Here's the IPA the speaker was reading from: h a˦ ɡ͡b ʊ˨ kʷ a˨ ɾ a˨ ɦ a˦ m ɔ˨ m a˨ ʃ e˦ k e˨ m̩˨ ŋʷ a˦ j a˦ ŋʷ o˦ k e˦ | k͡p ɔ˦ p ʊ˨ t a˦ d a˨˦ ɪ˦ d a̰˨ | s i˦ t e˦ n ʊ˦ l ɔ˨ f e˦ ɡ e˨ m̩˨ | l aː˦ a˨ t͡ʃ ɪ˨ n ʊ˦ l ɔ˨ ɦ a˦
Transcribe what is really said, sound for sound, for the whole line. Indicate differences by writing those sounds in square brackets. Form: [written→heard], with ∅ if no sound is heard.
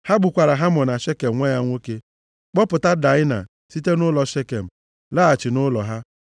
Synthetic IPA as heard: h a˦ ɡ͡b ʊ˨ kʷ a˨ ɾ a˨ ɦ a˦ m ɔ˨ [m→n] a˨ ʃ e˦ k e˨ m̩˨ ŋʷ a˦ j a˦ ŋʷ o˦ k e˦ | k͡p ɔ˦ p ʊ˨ t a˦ d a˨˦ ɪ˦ [d→n] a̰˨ | s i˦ t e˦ n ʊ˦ l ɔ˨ [f→ʃ] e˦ [ɡ→k] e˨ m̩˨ | l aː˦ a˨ t͡ʃ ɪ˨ n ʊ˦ l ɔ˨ ɦ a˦